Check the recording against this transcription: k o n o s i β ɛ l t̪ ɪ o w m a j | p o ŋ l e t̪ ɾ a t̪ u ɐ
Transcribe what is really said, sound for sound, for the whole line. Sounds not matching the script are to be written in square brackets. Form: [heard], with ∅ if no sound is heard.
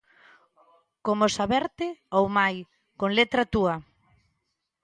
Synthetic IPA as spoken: k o [m] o s [a] β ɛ [ɾ] t̪ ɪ o w m a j | [k] o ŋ l e t̪ ɾ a t̪ u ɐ